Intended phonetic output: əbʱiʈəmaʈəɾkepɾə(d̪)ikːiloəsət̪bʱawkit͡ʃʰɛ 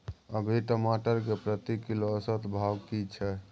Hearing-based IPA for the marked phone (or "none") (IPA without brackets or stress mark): t̪